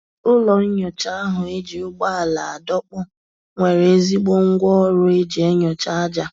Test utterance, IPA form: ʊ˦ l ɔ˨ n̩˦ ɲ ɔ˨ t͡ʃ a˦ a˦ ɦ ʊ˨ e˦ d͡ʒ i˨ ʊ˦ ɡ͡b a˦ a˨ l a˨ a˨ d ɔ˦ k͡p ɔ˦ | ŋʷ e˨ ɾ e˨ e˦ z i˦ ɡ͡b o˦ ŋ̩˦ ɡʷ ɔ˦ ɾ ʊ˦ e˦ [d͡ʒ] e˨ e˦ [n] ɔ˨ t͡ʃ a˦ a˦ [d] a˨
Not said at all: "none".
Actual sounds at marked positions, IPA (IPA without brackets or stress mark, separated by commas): d͡ʒ, ɲ, d͡ʒ